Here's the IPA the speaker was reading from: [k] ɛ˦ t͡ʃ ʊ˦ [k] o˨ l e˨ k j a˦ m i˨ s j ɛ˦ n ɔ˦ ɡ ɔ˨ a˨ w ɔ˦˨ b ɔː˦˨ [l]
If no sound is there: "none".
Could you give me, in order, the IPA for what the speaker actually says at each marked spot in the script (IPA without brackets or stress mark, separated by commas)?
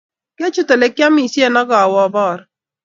k, t, ɾ